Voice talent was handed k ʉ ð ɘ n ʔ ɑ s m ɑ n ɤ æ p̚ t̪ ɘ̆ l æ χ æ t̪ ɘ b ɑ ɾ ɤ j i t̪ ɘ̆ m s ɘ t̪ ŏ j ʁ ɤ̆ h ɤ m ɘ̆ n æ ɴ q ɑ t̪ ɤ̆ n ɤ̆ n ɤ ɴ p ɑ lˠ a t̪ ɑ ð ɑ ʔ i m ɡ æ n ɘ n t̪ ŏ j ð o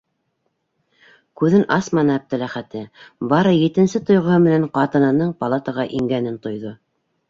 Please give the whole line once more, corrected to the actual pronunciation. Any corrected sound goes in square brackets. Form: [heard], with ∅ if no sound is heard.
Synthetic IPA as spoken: k ʉ ð ɘ n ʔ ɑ s m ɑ n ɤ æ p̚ t̪ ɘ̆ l æ χ æ t̪ ɘ b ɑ ɾ ɤ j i t̪ ɘ̆ [n] s ɘ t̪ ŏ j ʁ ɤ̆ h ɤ m ɘ̆ n æ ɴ q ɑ t̪ ɤ̆ n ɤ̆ n ɤ ɴ p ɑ lˠ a t̪ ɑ [ʁ] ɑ ʔ i [ŋ] ɡ æ n ɘ n t̪ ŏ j ð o